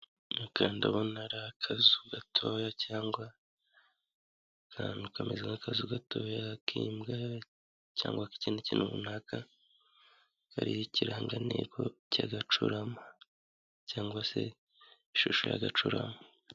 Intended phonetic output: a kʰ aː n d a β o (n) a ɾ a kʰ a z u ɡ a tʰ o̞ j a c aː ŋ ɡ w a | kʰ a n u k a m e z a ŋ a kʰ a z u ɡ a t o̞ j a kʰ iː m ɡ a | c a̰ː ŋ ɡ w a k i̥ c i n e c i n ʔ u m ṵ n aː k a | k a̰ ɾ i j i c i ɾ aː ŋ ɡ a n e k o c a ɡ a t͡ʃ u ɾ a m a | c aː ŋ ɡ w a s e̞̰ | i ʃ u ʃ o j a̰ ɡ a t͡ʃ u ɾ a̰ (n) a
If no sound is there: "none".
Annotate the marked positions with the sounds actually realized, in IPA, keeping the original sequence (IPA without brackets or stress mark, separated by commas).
n, m